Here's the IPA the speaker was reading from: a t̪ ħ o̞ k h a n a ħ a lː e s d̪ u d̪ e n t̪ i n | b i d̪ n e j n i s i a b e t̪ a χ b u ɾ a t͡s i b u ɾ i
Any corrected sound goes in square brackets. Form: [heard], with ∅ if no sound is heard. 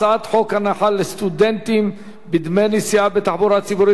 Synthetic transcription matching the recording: a t̪ ħ o̞ k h a n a ħ a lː e s [t̪] u d̪ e n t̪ i [m] | b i d̪ [m] e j n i s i a b e t̪ a [ħ] b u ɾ a t͡s i b u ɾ i